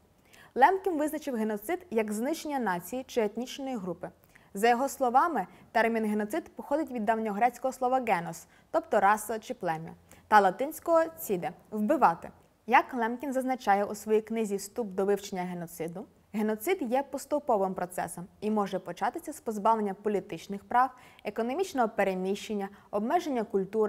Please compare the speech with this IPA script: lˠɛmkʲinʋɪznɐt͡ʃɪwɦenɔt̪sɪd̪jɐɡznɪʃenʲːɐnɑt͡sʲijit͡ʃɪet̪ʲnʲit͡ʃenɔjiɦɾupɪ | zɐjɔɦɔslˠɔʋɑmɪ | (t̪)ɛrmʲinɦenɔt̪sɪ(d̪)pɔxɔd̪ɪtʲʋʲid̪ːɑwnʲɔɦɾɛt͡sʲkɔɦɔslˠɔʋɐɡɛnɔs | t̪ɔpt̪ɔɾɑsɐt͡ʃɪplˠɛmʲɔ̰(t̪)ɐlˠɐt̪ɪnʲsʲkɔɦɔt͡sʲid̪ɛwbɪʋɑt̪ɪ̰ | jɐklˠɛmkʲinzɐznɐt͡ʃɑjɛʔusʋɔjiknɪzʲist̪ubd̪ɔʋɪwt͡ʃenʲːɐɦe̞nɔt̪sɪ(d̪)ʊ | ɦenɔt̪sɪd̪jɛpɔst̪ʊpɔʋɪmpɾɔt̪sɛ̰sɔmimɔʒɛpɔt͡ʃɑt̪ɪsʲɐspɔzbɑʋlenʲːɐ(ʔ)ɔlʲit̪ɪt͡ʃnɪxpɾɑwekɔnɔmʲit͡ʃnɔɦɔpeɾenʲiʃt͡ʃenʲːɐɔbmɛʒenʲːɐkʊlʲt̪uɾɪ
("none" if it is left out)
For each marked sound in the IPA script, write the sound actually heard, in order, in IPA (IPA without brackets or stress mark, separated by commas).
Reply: t̪, d̪, t̪, d̪, p